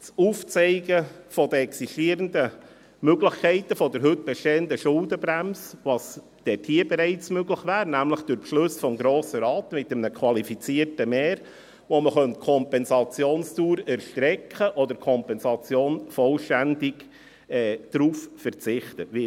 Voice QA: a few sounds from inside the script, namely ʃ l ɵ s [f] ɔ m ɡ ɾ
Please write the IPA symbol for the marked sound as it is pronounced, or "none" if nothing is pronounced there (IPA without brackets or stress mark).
f